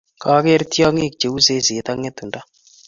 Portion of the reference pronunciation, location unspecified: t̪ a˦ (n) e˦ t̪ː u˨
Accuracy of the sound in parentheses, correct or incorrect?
incorrect